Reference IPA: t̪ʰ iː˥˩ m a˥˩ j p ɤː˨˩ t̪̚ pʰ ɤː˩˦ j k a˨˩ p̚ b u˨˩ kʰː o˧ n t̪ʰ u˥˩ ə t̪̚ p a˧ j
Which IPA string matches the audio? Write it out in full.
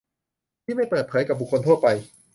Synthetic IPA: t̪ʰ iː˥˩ m a˥˩ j p ɤː˨˩ t̪̚ pʰ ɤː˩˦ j k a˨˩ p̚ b u˨˩ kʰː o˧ n t̪ʰ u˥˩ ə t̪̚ p a˧ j